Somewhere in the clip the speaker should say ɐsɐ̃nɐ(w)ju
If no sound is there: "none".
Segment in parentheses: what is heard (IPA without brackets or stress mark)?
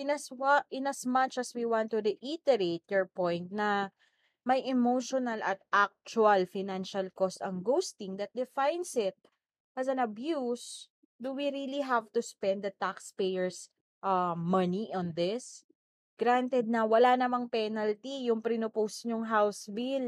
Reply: b